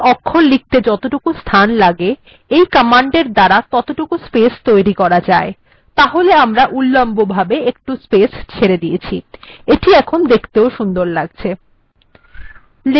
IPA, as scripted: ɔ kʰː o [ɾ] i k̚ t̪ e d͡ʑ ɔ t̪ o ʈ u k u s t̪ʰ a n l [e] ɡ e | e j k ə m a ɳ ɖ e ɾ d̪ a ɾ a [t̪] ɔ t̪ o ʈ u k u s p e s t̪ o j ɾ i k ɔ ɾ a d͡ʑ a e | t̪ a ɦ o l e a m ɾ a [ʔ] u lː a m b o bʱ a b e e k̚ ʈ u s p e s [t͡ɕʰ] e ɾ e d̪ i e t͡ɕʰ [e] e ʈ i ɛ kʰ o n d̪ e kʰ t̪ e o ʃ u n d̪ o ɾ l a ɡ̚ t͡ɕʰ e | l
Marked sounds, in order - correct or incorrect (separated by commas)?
incorrect, incorrect, correct, correct, correct, incorrect